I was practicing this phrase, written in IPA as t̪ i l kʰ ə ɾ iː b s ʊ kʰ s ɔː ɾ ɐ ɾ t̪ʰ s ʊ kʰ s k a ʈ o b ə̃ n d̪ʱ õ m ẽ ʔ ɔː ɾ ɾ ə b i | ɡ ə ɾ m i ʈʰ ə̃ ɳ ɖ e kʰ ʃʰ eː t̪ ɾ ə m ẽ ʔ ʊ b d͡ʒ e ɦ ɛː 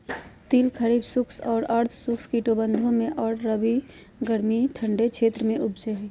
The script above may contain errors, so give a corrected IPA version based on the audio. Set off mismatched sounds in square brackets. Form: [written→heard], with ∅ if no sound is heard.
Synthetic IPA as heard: t̪ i l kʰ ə ɾ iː b s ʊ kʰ s ɔː ɾ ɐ ɾ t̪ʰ s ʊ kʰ s k [a→i] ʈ o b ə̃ n d̪ʱ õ m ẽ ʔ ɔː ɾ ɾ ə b i | ɡ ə ɾ m i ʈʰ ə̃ ɳ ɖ e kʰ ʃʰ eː t̪ ɾ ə m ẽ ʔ ʊ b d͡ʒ e ɦ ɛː